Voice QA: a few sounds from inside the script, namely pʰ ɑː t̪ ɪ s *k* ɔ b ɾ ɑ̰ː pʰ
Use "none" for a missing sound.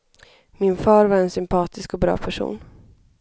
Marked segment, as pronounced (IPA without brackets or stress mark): k